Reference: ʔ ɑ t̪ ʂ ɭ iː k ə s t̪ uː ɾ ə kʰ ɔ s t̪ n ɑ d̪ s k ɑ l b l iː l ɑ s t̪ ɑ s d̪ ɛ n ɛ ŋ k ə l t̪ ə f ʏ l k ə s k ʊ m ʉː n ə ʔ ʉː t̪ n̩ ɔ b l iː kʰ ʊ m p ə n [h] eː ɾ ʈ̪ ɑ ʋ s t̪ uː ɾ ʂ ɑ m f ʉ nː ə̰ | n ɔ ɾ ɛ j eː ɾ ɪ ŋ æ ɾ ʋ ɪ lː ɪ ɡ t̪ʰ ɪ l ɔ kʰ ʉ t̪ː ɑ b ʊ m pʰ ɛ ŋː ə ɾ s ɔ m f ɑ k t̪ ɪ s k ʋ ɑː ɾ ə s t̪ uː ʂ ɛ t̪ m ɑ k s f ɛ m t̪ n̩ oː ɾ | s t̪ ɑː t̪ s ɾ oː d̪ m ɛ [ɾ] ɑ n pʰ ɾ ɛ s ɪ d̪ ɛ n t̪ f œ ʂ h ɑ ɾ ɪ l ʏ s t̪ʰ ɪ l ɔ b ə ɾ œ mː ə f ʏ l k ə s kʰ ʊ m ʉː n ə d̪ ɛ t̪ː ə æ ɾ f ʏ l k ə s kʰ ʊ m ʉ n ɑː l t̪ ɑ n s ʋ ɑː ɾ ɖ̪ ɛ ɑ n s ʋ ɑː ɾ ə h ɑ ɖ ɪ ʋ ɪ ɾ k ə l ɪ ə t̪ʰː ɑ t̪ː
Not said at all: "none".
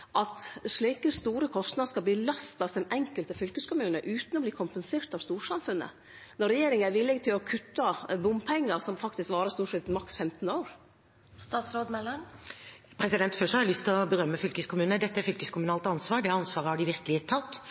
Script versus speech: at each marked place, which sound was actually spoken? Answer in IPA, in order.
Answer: s, l

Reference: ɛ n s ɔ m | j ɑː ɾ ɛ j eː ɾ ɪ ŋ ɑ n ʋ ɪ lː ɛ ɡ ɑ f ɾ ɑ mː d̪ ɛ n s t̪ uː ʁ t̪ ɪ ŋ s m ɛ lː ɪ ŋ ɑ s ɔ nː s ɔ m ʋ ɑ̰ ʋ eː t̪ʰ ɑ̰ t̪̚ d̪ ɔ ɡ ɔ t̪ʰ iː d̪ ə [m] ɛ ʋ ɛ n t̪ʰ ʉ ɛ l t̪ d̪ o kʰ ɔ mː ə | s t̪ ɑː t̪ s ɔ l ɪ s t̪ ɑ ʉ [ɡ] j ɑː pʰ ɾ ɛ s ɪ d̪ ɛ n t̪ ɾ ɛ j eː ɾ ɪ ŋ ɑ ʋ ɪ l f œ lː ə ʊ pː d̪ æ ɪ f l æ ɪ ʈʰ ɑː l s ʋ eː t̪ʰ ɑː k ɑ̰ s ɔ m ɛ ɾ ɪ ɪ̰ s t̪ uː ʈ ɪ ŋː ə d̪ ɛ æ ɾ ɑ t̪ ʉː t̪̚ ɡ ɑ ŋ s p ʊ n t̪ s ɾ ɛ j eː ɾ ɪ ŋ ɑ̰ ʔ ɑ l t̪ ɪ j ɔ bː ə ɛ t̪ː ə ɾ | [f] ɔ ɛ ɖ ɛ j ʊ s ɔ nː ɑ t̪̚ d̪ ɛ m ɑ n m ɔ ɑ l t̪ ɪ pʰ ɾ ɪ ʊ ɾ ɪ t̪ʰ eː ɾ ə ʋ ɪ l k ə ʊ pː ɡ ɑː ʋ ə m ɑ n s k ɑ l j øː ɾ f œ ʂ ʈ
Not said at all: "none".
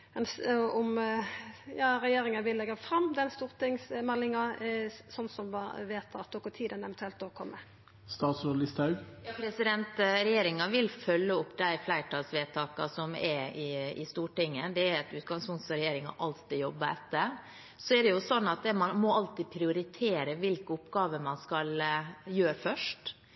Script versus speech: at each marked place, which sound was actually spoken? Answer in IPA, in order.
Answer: n, ɡ, s

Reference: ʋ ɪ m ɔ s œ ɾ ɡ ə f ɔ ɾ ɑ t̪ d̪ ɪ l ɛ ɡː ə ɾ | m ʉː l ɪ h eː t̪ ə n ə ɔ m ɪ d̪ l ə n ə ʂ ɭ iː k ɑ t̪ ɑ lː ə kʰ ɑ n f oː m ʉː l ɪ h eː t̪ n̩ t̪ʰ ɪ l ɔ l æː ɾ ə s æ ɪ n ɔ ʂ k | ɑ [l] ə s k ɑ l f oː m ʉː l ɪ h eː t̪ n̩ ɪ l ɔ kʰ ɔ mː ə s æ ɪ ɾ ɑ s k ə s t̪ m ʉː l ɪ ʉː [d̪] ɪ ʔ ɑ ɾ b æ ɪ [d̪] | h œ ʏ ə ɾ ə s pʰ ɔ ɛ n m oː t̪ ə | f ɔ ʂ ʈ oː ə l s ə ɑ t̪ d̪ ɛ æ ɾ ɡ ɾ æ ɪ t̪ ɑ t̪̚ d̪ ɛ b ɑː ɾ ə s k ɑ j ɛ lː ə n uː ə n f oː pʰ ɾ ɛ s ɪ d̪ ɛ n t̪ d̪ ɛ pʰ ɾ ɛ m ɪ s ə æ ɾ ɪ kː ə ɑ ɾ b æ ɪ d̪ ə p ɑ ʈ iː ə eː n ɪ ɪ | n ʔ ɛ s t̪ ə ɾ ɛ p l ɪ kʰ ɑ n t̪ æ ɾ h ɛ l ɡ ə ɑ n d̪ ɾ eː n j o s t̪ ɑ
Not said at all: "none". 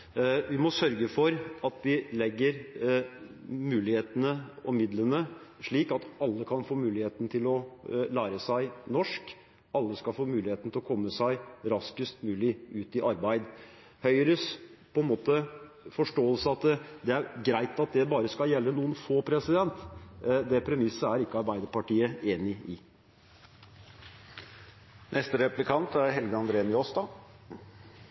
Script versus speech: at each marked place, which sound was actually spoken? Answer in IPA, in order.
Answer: lː, t̪, d̪

